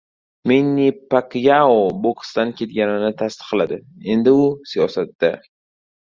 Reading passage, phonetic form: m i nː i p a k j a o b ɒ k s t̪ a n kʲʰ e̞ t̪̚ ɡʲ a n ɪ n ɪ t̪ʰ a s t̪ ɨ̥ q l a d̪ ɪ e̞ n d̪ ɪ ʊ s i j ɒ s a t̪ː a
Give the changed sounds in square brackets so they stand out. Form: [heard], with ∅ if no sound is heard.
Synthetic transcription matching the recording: m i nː i p a k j a o b [o] k s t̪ a n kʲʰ e̞ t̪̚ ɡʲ a n ɪ n ɪ t̪ʰ a s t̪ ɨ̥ q l a d̪ ɪ e̞ n d̪ ɪ ʊ s i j ɒ s a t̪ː a